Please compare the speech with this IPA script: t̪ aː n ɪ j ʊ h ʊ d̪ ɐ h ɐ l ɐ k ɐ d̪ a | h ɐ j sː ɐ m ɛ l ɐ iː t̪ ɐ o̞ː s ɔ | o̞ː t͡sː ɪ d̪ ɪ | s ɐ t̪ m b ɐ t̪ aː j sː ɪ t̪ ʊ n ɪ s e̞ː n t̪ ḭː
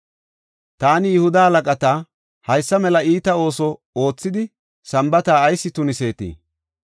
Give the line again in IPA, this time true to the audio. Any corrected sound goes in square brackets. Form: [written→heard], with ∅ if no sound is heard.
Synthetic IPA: t̪ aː n ɪ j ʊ h ʊ d̪ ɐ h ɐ l ɐ [k→kʼ] ɐ [d̪→t̪] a | h ɐ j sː ɐ m ɛ l ɐ iː t̪ ɐ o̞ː s ɔ | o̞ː t͡sː ɪ d̪ ɪ | s ɐ [t̪→∅] m b ɐ t̪ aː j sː ɪ t̪ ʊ n ɪ s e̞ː [n→∅] t̪ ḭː

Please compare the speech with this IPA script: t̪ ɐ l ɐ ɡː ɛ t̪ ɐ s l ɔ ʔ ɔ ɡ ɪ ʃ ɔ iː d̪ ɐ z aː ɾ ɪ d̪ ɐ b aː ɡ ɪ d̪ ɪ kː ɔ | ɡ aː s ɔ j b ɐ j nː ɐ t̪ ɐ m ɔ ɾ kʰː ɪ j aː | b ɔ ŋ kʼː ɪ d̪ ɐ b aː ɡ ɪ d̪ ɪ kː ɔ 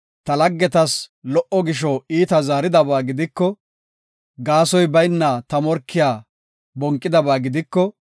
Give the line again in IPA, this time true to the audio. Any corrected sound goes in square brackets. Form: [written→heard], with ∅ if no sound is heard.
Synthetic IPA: t̪ ɐ l ɐ ɡː ɛ t̪ ɐ s l ɔ ʔ ɔ ɡ ɪ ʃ ɔ iː [d̪→t̪] ɐ z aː ɾ ɪ d̪ ɐ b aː ɡ ɪ d̪ ɪ kː ɔ | ɡ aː s ɔ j b ɐ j nː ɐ t̪ ɐ m ɔ ɾ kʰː ɪ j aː | b ɔ ŋ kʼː ɪ d̪ ɐ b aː ɡ ɪ d̪ ɪ kː ɔ

